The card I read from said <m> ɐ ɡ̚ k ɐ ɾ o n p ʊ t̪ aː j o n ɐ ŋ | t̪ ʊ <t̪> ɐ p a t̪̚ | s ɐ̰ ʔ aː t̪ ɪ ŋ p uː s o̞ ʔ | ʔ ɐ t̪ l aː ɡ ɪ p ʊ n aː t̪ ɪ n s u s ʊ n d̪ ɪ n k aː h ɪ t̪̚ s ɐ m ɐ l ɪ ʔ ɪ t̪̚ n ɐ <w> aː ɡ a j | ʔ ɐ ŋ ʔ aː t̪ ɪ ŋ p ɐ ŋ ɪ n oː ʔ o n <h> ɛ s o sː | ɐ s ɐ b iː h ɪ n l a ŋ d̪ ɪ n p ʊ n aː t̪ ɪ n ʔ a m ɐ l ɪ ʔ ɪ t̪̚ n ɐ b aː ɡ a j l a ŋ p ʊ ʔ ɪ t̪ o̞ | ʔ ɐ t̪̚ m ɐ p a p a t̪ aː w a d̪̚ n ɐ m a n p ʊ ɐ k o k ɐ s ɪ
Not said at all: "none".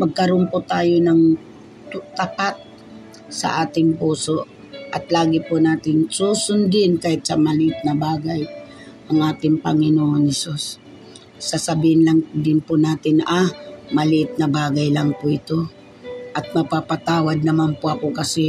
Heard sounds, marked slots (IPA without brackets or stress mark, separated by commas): m, t̪, b, h